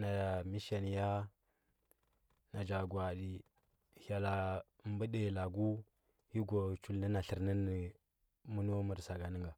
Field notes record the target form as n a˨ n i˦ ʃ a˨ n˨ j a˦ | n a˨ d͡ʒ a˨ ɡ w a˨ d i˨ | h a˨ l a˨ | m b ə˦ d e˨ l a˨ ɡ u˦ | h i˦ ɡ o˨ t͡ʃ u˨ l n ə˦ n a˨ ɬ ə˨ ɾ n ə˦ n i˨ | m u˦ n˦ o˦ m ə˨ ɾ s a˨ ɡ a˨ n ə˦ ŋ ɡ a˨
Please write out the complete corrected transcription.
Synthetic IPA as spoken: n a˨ m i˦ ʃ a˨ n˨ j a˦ | n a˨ d͡ʒ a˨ ɡ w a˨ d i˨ | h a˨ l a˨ | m b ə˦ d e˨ l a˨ ɡ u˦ | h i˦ ɡ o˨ t͡ʃ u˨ l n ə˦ n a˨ ɬ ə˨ ɾ n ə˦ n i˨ | m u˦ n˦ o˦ m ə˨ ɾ s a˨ ɡ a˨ n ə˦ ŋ ɡ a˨

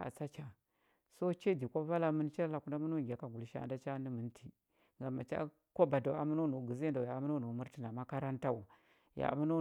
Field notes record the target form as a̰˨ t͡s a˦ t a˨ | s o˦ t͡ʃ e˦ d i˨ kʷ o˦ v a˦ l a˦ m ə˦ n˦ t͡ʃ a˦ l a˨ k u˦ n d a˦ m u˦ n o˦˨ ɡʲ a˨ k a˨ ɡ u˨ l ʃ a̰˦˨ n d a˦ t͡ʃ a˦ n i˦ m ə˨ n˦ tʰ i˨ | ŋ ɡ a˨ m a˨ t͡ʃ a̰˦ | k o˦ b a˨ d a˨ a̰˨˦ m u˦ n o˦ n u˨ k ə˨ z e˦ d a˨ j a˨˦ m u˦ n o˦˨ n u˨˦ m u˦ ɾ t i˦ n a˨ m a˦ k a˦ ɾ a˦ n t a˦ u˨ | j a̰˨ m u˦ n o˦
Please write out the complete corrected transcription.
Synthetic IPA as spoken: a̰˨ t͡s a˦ t͡ʃ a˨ | s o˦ t͡ʃ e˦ d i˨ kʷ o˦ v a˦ l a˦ m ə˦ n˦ t͡ʃ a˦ l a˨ k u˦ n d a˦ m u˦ n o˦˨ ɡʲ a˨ k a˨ ɡ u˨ l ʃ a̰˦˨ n d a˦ t͡ʃ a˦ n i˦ m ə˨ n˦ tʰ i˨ | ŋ ɡ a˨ m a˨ t͡ʃ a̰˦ | k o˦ b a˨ d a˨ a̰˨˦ m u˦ n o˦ n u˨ ɡ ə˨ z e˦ d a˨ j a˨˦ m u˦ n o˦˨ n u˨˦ m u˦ ɾ t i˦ n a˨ m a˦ k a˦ ɾ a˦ n t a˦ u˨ | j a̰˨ m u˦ n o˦

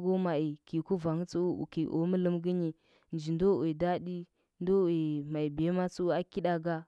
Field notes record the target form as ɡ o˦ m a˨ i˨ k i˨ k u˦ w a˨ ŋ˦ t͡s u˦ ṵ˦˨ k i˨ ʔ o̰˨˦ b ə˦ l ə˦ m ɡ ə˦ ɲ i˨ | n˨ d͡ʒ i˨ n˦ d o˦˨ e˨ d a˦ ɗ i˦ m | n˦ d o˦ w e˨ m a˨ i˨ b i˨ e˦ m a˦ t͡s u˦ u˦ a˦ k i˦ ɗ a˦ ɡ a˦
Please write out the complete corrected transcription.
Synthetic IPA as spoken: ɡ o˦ m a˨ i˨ k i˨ k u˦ v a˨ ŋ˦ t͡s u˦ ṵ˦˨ k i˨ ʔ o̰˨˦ m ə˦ l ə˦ m ɡ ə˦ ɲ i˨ | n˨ d͡ʒ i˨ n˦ d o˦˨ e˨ d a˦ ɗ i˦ | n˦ d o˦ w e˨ m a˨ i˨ b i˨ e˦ m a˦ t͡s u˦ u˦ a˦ k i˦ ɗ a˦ ɡ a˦

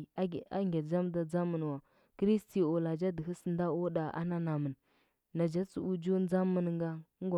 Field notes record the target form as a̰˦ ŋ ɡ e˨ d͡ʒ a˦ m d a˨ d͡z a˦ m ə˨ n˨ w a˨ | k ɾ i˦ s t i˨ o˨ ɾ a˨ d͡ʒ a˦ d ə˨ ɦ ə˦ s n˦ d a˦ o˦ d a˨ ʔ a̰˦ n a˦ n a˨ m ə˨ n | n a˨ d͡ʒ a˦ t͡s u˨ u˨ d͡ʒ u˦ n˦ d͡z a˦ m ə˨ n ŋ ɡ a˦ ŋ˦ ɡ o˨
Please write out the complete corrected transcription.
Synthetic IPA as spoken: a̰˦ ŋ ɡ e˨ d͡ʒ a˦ m d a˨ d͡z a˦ m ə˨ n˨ w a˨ | k ɾ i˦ s t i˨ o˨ l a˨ d͡ʒ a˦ d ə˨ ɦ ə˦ s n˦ d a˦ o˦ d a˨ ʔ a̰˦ n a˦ n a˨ m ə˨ n | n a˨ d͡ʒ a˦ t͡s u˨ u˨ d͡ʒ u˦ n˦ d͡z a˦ m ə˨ n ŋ ɡ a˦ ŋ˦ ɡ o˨

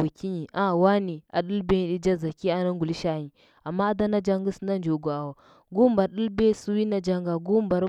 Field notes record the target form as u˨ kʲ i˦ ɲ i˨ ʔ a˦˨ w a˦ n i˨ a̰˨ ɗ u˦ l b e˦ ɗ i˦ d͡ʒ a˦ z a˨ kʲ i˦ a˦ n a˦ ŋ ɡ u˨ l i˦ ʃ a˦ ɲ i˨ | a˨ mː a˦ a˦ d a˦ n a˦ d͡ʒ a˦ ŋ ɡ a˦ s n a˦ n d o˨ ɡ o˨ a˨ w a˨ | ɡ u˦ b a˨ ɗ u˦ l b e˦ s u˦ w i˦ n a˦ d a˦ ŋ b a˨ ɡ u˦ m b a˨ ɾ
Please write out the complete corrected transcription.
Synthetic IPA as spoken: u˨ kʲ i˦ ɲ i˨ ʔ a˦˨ w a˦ n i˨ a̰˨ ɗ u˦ l b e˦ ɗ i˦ d͡ʒ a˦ z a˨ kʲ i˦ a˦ n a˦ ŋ ɡ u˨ l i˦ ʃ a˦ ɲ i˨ | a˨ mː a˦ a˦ d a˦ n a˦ d͡ʒ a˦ ŋ ɡ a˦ s n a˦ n d͡ʒ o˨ ɡ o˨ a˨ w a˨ | ɡ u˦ b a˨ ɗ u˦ l b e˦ s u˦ w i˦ n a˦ d͡ʒ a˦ ŋ ɡ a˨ ɡ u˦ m b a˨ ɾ

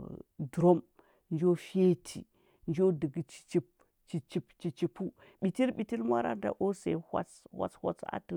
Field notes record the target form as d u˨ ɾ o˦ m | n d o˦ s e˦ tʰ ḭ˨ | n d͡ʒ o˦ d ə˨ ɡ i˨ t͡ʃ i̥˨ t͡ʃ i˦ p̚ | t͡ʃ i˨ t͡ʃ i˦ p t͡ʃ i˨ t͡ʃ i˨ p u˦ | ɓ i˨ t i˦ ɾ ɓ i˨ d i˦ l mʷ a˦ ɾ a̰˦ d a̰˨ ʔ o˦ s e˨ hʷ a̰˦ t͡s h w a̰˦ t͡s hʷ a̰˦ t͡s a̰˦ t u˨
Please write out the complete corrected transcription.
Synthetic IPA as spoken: d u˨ ɾ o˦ m | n d͡ʒ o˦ f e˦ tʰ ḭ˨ | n d͡ʒ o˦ d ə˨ ɡ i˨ t͡ʃ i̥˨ t͡ʃ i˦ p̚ | t͡ʃ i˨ t͡ʃ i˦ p t͡ʃ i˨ t͡ʃ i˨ p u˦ | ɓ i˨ t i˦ ɾ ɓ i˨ t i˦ l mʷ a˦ ɾ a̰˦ d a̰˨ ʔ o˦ s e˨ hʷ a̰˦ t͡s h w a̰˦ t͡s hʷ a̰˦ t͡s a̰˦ t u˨

